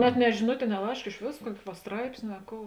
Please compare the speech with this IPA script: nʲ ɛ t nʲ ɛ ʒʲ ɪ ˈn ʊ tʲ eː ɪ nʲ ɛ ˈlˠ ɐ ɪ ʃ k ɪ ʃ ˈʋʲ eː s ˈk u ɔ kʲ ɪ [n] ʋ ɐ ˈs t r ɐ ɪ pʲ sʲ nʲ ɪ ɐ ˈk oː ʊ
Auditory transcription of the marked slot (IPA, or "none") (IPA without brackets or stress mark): none